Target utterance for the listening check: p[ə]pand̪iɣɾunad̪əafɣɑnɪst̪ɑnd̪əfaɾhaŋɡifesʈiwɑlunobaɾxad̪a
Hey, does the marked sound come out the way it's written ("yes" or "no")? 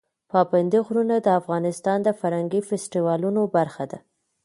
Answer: no